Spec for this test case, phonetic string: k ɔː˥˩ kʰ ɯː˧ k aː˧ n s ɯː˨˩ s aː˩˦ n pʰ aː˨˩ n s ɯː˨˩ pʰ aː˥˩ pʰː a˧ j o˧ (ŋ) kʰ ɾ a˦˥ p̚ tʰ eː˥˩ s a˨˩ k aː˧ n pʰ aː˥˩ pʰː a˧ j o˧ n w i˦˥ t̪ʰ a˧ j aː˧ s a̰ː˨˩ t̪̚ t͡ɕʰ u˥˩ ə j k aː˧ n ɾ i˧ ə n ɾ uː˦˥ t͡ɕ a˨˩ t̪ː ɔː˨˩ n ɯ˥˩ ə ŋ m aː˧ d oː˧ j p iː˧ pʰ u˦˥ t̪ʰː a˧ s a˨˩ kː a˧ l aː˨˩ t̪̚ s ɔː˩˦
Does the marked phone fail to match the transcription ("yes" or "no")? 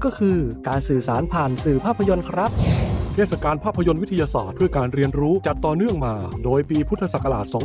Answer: yes